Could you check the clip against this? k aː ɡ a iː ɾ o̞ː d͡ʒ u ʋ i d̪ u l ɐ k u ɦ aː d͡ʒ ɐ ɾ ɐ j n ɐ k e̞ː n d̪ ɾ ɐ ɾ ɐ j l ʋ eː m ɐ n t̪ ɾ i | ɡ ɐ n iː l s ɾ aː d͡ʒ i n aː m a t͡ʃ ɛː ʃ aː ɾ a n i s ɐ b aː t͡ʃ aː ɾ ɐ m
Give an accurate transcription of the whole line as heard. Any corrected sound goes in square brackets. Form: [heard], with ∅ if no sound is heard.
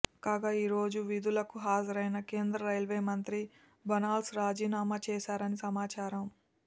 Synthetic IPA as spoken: k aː ɡ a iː ɾ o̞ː d͡ʒ u ʋ i d̪ u l ɐ k u ɦ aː d͡ʒ ɐ ɾ ɐ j n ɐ k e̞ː n d̪ ɾ ɐ ɾ ɐ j l ʋ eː m ɐ n t̪ ɾ i | [b] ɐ n [aː] l s ɾ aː d͡ʒ [iː] n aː m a t͡ʃ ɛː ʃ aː ɾ [ɐ] n i s ɐ [m] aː t͡ʃ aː ɾ ɐ m